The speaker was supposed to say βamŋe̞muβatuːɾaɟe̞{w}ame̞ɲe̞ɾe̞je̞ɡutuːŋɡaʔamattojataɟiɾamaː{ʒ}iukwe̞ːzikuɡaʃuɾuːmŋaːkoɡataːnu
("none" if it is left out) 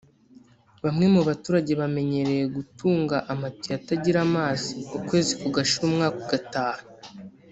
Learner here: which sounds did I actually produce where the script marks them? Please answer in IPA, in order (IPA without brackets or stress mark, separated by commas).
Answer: β, z